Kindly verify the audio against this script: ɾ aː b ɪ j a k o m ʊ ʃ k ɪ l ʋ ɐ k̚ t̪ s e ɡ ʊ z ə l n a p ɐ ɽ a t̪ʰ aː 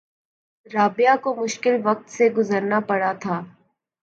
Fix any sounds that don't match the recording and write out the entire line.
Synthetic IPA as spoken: ɾ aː b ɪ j a k o m ʊ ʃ k ɪ l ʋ ɐ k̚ t̪ s e ɡ ʊ z ə ɾ n a p ɐ ɽ a t̪ʰ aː